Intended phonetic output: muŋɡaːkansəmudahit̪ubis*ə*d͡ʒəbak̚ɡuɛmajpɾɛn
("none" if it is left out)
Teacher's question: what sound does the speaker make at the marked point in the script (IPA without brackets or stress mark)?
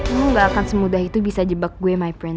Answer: a